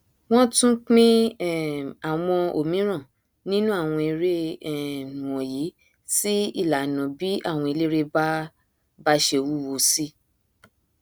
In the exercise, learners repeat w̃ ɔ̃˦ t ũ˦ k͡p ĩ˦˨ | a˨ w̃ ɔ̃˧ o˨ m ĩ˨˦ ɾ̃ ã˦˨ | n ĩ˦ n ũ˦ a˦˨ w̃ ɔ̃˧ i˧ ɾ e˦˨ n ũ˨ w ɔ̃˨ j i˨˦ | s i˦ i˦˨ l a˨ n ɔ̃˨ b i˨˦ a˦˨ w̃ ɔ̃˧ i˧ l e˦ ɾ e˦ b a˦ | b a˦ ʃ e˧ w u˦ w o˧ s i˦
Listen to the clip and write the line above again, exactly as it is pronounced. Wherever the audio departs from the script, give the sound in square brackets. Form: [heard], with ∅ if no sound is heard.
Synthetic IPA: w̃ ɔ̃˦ t ũ˦ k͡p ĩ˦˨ | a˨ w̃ ɔ̃˧ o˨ m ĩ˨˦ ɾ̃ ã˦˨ | n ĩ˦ n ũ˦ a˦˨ w̃ ɔ̃˧ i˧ ɾ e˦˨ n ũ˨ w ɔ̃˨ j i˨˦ | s i˦ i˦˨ l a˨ n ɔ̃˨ b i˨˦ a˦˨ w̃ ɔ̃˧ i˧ l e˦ ɾ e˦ b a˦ | b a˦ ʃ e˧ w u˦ w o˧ s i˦